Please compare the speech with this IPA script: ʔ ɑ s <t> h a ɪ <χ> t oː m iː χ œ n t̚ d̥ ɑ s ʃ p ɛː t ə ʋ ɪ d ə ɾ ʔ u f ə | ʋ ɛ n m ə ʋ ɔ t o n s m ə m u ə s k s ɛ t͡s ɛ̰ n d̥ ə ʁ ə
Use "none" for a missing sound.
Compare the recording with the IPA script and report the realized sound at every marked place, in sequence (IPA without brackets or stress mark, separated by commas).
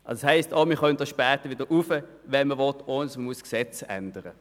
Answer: s, s